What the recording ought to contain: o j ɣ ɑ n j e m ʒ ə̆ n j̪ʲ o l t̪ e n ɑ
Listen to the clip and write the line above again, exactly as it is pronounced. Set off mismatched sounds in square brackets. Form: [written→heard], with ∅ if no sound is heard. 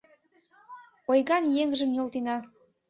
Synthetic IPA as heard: o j ɣ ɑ n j e [m→ŋ] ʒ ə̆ [n→m] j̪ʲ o l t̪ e n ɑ